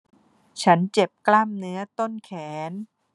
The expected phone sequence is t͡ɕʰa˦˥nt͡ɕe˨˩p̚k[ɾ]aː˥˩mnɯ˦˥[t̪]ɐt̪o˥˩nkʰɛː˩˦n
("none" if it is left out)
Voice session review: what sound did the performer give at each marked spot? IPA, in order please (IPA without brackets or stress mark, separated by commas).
l, none